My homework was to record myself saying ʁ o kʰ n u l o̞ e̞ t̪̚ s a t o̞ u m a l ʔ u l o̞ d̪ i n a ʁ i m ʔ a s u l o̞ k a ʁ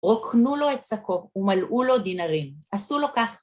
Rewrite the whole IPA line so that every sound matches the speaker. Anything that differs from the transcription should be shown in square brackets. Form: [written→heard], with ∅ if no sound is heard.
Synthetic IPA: ʁ o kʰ n u l o̞ e̞ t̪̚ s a [t→k] o̞ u m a l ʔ u l o̞ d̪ i n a ʁ i m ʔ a s u l o̞ k a [ʁ→χ]

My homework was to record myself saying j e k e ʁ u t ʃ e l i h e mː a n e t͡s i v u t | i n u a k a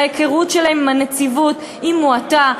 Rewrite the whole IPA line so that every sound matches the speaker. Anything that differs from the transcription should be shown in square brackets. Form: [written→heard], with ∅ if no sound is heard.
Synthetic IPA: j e k e ʁ u t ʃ e l [i→a] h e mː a n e t͡s i v u t | i [n→m] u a [k→t] a

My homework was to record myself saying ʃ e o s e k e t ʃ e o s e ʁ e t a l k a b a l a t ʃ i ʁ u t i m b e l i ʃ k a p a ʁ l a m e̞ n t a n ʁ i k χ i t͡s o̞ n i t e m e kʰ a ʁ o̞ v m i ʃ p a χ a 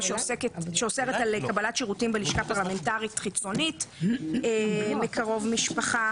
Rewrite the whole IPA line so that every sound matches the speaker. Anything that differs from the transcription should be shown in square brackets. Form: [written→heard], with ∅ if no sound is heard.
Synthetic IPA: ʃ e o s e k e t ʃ e o s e ʁ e t a l k a b a l a t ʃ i ʁ u t i m b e l i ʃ k a p a ʁ l a m e̞ n t a [n→∅] ʁ i [k→t] χ i t͡s o̞ n i t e m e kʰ a ʁ o̞ v m i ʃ p a χ a

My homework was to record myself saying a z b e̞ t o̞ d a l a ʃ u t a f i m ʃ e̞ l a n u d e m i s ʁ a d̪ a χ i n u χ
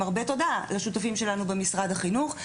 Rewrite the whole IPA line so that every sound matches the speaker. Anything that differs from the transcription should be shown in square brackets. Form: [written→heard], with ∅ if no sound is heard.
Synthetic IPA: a [z→ʁ] b e̞ t o̞ d a l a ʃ u t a f i m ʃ e̞ l a n u [d→b] e m i s ʁ a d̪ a χ i n u χ

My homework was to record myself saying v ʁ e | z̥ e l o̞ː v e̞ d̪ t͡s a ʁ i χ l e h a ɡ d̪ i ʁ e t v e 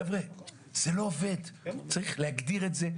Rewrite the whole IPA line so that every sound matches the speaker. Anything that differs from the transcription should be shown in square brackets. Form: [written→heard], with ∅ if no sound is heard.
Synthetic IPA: v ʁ e | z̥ e l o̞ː v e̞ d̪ t͡s a ʁ i χ l e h a ɡ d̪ i ʁ e t [v→z] e

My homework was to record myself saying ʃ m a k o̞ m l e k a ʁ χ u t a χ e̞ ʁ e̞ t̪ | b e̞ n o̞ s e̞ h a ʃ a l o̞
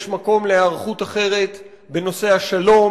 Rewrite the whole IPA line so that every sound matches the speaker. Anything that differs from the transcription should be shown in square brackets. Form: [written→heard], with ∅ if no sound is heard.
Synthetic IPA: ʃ m a k o̞ m l e [k→∅] a ʁ χ u t a χ e̞ ʁ e̞ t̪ | b e̞ n o̞ s e̞ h a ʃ a l o̞

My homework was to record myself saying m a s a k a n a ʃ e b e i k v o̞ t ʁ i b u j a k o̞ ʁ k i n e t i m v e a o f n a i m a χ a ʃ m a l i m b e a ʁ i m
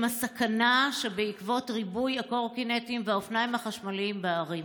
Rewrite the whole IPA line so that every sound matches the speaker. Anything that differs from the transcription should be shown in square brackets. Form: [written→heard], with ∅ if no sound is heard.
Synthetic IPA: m a s a k a n a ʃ e b e i k v o̞ t ʁ i b u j a k o̞ ʁ k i n e t i m v e a o f n a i m a χ a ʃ m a l i m b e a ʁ i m

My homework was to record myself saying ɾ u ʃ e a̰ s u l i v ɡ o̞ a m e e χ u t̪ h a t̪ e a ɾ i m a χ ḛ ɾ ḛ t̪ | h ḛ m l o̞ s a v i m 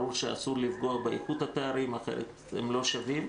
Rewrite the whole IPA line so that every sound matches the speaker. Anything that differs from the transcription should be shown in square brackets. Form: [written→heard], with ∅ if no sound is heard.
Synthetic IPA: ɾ u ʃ e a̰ s u l i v ɡ o̞ a [m→b] e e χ u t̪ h a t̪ e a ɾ i m a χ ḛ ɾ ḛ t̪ | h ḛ m l o̞ [s→ʃ] a v i m

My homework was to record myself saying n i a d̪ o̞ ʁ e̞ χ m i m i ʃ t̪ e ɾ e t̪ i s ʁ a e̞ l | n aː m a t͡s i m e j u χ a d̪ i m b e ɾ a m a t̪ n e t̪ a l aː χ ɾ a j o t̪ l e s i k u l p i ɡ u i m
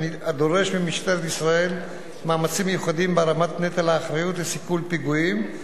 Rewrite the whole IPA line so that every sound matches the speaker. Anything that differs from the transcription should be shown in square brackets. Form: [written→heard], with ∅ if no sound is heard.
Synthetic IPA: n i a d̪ o̞ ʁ e̞ [χ→ʃ] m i m i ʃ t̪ e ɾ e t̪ i s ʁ a e̞ l | [n→m] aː m a t͡s i m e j u χ a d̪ i m b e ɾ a m a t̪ n e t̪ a l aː χ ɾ a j [o→u] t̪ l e s i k u l p i ɡ u i m

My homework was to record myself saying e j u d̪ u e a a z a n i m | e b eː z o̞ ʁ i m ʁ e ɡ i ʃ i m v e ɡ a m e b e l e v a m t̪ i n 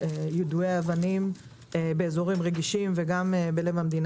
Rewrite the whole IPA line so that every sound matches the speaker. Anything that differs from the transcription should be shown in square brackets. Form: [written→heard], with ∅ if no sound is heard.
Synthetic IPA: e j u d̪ u e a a [z→v] a n i m | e b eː z o̞ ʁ i m ʁ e ɡ i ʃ i m v e ɡ a m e b e l e v a m [t̪→d̪] i n

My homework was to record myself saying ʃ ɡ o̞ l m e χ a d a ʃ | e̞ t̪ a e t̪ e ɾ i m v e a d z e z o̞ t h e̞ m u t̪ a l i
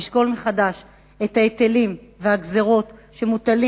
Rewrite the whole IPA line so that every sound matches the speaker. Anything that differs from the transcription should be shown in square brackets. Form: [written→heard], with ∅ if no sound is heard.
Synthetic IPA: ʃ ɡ o̞ l m e χ a d a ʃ | e̞ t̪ a e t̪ e [ɾ→l] i m v e a [d→ɡ] z e [z→ʁ] o̞ t [h→ʃ] e̞ m u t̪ a l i

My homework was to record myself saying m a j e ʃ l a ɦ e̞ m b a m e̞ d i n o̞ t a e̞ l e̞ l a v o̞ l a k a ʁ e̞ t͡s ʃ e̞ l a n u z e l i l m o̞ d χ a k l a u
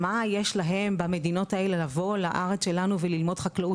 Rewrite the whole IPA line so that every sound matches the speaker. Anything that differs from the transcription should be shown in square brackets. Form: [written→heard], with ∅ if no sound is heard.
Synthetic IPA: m a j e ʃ l a ɦ e̞ m b a m e̞ d i n o̞ t a e̞ l e̞ l a v o̞ l a [k→ʔ] a ʁ e̞ t͡s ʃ e̞ l a n u [z→v] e l i l m o̞ d χ a k l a u

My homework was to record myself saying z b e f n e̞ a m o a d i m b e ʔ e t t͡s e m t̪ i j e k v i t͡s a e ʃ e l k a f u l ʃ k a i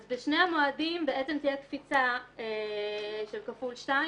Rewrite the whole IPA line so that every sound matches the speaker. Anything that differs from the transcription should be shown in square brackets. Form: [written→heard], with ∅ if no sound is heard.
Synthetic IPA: z b e [f→ʃ] n e̞ a m o a d i m b e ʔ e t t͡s e m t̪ i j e k [v→f] i t͡s a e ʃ e l k a f u l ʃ [k→t] a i

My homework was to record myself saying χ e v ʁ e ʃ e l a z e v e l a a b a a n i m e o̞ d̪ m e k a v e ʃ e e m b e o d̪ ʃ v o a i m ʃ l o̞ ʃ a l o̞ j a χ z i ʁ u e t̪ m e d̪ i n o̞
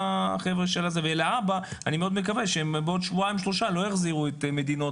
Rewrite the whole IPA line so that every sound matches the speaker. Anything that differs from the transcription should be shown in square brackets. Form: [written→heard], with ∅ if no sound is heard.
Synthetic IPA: χ e v ʁ e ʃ e l a z e v e l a a b a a n i m e o̞ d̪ m e k a v e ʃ e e m b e o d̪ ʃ v [o→u] a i m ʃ l o̞ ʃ a l o̞ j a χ z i ʁ u e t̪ m e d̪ i n o̞

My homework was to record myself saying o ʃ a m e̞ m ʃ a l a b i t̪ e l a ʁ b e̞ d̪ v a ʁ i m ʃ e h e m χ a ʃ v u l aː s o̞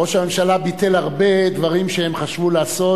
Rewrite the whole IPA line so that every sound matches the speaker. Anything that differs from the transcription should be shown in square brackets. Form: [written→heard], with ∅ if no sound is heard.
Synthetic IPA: o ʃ a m e̞ m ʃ a l a b i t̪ e l a ʁ b e̞ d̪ v a ʁ i m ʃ e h e m χ a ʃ v u l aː s o̞

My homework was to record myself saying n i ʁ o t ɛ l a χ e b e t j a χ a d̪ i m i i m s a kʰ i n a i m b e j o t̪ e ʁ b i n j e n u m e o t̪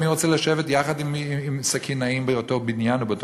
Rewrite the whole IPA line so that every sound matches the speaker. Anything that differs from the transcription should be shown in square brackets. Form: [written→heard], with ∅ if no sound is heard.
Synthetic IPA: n i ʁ o [t→t͡s] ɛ l a [χ→ʃ] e [b→v] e t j a χ a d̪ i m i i m s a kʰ i n a i m b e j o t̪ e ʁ b i n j [e→a] n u [m→b] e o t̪

